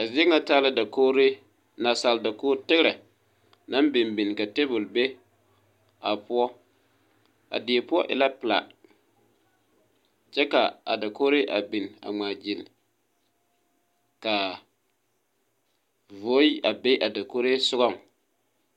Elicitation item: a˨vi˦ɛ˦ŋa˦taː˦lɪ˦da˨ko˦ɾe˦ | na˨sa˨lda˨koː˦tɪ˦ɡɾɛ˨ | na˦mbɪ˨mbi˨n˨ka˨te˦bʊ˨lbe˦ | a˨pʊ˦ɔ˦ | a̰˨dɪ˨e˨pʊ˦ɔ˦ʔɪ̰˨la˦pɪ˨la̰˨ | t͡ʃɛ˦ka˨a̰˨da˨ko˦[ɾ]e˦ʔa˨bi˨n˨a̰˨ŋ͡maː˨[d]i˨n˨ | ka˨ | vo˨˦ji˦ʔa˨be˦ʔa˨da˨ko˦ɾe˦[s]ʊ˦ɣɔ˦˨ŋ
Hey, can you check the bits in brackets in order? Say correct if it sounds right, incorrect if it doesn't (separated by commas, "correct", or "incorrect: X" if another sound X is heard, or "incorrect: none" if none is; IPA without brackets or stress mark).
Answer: correct, incorrect: d͡ʒ, correct